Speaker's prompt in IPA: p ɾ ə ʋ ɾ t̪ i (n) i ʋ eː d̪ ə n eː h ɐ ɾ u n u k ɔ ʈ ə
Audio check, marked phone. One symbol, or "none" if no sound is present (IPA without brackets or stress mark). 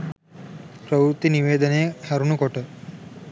n